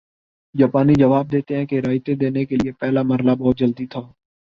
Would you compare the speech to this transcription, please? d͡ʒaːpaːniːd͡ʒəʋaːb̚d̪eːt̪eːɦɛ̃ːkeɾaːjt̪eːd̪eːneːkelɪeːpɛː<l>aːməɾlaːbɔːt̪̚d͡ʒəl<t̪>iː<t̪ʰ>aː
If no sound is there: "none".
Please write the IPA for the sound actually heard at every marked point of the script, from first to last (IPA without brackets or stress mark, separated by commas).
l, d̪, t̪ʰ